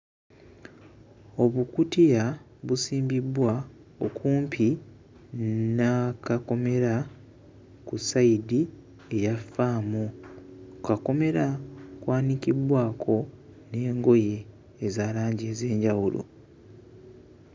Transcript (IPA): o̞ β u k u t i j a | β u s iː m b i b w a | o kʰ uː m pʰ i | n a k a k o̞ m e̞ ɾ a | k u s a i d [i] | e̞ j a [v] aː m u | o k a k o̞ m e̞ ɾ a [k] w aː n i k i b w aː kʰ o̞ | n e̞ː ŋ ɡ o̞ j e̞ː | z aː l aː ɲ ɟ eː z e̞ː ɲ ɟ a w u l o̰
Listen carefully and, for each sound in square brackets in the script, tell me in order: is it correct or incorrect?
correct, incorrect, correct

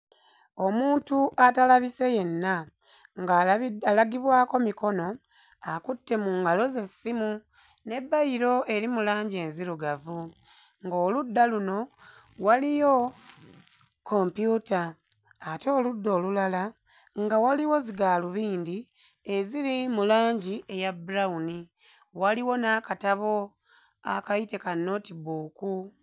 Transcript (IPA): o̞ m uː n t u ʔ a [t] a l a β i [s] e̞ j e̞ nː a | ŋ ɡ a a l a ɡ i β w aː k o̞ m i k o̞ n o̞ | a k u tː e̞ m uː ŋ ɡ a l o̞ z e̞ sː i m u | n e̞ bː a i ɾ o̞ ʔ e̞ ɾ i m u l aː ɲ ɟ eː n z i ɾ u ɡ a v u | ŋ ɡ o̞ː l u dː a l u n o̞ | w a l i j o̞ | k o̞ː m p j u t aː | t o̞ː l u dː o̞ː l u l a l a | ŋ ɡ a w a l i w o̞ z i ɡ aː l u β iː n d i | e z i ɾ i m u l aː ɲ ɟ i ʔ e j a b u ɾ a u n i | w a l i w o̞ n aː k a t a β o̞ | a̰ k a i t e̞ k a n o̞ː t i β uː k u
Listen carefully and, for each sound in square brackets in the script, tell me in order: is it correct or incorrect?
correct, correct

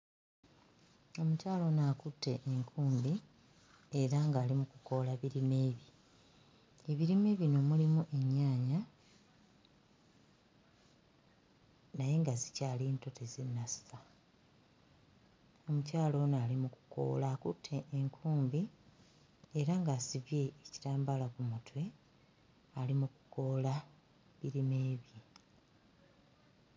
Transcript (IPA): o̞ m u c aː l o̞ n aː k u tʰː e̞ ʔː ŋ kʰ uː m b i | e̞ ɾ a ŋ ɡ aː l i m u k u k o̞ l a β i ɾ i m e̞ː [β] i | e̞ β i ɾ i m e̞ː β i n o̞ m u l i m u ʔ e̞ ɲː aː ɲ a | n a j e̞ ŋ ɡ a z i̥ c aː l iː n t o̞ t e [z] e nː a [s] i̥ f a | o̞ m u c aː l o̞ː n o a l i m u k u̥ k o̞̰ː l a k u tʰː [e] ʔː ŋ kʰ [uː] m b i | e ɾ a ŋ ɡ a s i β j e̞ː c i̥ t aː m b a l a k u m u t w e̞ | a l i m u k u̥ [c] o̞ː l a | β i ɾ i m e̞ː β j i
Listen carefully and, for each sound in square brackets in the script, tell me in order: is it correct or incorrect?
correct, correct, correct, correct, correct, incorrect

